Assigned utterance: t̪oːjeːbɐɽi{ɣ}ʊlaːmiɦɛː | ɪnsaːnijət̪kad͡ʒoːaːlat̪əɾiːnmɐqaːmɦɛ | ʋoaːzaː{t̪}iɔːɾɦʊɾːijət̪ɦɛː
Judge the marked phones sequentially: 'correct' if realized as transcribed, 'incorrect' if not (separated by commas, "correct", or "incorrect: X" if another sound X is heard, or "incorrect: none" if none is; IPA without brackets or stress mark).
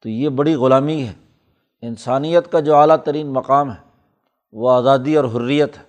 correct, incorrect: d̪